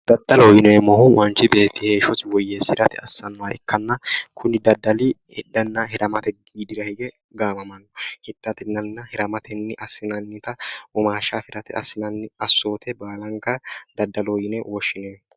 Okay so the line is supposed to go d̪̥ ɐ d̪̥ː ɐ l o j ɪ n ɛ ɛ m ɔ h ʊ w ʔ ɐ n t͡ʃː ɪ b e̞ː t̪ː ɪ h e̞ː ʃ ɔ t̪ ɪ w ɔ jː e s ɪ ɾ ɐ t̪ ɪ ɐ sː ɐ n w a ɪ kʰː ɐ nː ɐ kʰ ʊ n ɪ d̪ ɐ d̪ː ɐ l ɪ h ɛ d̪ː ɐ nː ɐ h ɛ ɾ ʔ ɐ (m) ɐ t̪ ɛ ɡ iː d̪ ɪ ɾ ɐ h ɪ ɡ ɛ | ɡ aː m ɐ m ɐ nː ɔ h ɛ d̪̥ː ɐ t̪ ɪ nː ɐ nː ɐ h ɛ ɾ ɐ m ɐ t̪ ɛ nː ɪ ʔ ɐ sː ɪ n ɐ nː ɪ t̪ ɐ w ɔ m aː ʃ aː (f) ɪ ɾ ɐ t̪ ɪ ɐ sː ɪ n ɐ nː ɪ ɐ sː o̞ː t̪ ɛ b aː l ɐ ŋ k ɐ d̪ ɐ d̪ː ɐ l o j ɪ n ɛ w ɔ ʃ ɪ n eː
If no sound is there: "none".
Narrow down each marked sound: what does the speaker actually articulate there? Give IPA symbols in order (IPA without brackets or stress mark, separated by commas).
m, f